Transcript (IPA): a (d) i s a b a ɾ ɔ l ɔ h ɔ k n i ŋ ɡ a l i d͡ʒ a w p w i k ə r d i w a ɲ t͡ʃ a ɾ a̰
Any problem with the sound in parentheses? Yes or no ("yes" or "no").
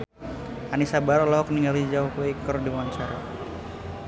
yes